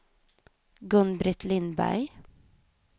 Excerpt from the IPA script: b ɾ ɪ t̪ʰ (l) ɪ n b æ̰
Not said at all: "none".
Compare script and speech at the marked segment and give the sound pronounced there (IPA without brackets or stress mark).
l